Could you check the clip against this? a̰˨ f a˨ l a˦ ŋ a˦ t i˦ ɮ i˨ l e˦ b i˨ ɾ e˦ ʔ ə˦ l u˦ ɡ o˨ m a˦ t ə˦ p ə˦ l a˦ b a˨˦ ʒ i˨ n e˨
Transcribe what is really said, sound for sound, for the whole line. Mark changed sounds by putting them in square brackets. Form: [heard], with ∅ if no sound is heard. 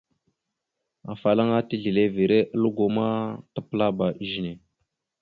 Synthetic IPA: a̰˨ f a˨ l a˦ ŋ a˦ t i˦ ɮ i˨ l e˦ [v] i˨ ɾ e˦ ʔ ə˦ l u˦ ɡ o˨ m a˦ t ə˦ p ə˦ l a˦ b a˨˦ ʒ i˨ n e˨